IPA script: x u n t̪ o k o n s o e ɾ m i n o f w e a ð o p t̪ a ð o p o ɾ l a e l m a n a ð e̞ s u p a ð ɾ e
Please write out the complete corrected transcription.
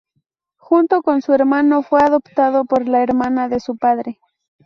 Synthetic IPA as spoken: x u n t̪ o k o n s u e ɾ m a n o f w e a ð o p t̪ a ð o p o ɾ l a e ɾ m a n a ð e̞ s u p a ð ɾ e